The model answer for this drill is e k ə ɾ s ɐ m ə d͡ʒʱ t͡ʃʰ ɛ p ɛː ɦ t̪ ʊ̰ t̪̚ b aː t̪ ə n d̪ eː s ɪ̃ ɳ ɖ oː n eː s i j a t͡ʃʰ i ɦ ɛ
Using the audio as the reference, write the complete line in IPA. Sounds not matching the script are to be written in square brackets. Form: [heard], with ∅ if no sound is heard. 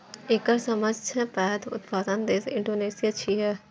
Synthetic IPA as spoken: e k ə ɾ s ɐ m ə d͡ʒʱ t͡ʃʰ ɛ p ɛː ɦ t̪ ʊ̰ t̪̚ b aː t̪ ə n d̪ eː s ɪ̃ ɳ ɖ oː n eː s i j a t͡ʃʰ i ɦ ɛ